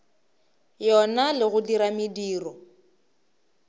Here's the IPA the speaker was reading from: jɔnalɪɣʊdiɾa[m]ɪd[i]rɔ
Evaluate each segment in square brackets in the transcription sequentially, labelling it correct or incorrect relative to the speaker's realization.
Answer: correct, incorrect: iː

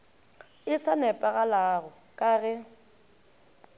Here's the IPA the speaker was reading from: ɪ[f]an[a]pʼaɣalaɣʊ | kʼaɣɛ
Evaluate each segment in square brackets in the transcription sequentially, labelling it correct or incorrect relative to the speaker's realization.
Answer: incorrect: s, incorrect: ɛ

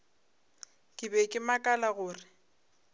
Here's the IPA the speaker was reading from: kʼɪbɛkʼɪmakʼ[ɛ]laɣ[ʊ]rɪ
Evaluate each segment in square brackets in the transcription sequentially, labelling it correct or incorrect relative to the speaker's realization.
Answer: incorrect: a, incorrect: ʊː

